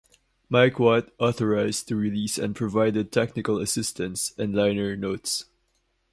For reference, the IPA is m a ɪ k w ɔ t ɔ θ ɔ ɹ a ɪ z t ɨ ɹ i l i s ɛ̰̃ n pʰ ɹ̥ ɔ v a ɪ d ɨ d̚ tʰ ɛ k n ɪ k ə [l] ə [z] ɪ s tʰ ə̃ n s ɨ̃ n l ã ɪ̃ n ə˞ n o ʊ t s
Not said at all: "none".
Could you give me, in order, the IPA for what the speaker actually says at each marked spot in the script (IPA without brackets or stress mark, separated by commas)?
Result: l, s